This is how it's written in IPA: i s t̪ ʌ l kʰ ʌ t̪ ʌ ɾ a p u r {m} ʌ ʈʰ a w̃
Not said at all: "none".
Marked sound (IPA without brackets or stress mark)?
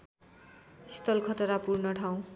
n